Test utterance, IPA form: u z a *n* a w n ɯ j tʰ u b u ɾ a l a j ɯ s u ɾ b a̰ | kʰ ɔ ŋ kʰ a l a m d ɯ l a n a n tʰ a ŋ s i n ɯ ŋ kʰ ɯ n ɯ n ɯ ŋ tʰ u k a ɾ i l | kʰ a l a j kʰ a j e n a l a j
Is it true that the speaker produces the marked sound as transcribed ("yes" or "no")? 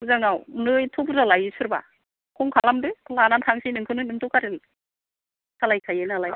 no